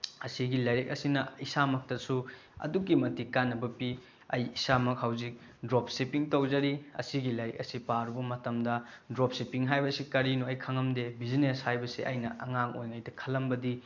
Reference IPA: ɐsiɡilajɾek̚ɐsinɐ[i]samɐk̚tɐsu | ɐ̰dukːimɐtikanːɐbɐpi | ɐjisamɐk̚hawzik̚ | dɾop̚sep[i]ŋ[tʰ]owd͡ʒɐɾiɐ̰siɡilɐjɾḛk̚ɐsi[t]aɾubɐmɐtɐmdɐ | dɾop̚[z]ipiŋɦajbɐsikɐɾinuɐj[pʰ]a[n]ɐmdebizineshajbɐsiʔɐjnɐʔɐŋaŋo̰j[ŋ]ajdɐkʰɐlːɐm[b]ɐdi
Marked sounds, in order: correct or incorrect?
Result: correct, correct, incorrect, incorrect, incorrect, incorrect, incorrect, correct, correct

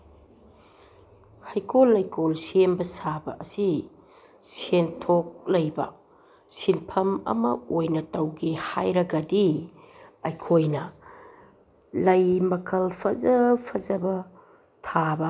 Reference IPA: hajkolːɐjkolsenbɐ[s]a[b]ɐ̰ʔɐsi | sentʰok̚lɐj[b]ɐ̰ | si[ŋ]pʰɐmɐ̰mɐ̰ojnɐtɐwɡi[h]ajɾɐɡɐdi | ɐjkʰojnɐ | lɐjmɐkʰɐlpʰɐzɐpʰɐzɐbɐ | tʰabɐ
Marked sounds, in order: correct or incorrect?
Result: correct, correct, correct, incorrect, correct

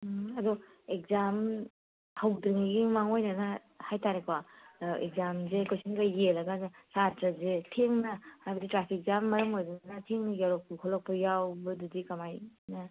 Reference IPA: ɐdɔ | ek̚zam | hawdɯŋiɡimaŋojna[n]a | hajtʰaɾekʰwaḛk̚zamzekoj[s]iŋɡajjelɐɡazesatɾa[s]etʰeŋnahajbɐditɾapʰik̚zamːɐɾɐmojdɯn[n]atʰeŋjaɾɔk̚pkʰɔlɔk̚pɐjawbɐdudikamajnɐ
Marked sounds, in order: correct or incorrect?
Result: correct, correct, incorrect, correct

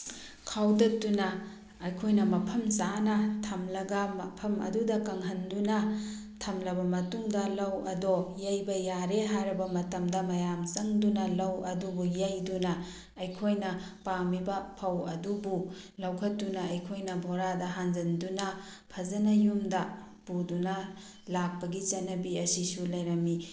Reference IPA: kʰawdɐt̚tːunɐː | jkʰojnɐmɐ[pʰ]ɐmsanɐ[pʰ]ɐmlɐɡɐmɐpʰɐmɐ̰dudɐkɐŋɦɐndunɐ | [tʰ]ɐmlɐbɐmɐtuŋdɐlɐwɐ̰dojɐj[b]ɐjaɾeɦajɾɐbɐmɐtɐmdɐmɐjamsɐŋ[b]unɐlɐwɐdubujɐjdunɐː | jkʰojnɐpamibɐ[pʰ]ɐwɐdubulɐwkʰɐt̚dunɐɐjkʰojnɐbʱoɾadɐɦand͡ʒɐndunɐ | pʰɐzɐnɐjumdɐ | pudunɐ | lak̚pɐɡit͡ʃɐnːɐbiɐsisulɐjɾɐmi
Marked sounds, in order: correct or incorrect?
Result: correct, incorrect, correct, correct, incorrect, correct

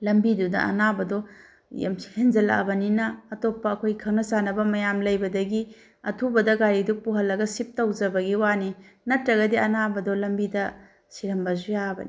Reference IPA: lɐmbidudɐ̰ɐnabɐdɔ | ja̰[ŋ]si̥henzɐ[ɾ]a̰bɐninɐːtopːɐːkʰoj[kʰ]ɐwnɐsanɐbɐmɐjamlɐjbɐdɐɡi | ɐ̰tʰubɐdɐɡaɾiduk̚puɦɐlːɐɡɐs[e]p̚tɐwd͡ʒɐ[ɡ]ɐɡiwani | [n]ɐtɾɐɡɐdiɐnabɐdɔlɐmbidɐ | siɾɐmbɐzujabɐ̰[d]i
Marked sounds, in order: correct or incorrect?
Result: incorrect, incorrect, correct, incorrect, incorrect, correct, incorrect

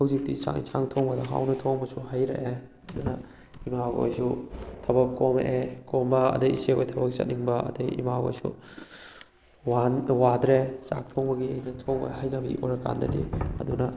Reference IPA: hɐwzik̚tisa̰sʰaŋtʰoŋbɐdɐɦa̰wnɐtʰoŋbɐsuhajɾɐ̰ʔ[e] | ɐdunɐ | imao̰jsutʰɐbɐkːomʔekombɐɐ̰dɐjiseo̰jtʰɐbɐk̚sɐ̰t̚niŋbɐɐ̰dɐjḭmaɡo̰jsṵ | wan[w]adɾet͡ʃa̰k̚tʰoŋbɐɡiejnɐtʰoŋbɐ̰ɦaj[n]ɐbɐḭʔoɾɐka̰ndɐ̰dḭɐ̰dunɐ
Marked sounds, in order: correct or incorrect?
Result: correct, correct, correct

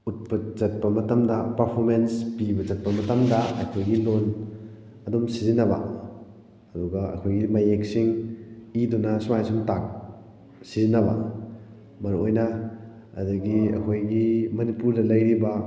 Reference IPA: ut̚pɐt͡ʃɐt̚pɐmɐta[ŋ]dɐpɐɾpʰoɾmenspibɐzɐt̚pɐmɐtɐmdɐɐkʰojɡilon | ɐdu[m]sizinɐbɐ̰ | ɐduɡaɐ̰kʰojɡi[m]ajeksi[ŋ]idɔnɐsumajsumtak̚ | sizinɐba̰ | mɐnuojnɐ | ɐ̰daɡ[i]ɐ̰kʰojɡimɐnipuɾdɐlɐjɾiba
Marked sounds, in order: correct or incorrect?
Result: incorrect, correct, correct, correct, correct

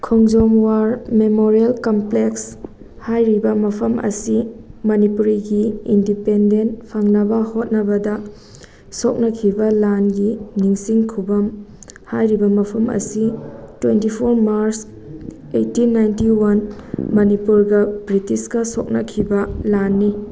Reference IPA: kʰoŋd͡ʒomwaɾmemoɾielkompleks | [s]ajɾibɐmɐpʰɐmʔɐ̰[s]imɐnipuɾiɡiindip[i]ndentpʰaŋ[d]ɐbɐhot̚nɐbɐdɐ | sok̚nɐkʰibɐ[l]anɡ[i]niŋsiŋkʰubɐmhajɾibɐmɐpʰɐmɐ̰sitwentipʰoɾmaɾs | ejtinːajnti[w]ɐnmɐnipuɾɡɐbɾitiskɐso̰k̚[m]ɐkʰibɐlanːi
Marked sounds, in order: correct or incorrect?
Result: incorrect, correct, incorrect, incorrect, correct, correct, correct, incorrect

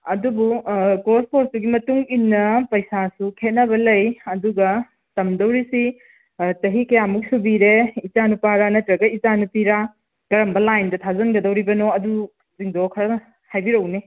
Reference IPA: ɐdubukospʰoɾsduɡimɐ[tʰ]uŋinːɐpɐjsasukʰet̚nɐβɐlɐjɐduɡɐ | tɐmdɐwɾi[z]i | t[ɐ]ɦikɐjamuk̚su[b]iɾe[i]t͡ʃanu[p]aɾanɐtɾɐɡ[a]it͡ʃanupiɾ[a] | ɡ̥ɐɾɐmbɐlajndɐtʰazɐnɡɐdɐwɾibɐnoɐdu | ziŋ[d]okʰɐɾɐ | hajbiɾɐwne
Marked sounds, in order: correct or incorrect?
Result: incorrect, incorrect, correct, correct, correct, correct, incorrect, correct, correct

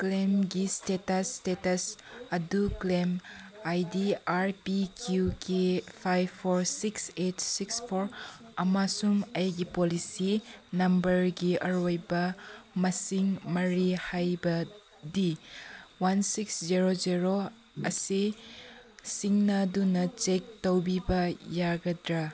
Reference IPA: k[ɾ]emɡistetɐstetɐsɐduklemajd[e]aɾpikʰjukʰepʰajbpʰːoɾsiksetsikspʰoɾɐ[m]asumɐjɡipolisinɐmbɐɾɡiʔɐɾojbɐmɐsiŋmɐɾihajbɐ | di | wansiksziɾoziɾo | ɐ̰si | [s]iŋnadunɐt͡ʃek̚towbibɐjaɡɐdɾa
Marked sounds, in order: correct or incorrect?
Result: incorrect, incorrect, correct, correct

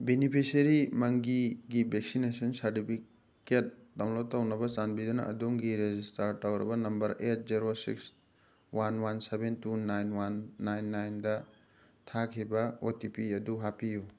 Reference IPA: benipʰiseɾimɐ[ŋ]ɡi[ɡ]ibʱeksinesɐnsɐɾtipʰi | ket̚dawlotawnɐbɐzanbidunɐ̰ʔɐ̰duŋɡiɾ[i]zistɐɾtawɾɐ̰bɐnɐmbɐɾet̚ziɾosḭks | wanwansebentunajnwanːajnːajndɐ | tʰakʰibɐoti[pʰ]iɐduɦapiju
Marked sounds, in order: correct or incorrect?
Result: correct, correct, incorrect, incorrect

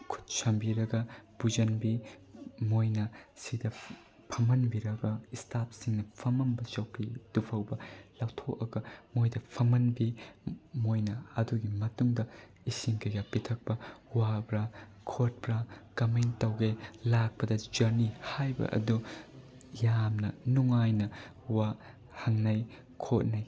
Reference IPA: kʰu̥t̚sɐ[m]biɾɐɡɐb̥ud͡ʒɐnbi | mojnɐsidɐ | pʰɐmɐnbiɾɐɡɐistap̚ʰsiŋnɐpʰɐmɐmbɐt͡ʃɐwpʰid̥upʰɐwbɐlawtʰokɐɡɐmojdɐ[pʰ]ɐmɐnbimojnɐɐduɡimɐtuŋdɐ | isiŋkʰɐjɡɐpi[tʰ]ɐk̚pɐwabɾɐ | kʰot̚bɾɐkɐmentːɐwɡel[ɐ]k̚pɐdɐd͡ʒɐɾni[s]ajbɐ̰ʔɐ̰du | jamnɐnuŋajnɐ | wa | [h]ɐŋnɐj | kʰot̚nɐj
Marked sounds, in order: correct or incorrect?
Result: correct, correct, correct, incorrect, incorrect, correct

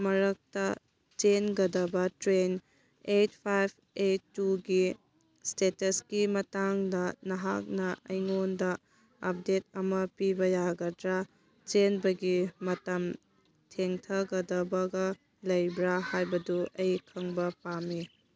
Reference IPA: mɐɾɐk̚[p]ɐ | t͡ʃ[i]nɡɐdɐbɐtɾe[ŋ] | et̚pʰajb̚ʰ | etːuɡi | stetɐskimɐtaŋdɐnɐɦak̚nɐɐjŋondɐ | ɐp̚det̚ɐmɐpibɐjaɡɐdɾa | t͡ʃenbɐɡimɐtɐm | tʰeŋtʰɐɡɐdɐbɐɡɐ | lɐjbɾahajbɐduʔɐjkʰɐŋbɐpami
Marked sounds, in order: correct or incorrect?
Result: incorrect, incorrect, incorrect

